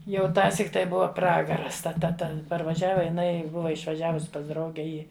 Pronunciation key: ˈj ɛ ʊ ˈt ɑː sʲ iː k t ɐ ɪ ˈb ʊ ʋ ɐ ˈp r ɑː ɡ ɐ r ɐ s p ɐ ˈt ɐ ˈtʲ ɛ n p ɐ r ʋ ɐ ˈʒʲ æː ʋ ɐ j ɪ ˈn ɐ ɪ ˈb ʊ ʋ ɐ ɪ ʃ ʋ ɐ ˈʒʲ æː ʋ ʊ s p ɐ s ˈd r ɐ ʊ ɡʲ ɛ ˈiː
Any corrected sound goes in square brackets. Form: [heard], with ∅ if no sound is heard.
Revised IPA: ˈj ɛ ʊ ˈt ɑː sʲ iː k t ɐ ɪ ˈb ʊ ʋ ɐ ˈp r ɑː ɡ ɐ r ɐ s [t] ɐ ˈt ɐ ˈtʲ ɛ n p ɐ r ʋ ɐ ˈʒʲ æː ʋ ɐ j ɪ ˈn ɐ ɪ ˈb ʊ ʋ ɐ ɪ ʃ ʋ ɐ ˈʒʲ æː ʋ ʊ s p ɐ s ˈd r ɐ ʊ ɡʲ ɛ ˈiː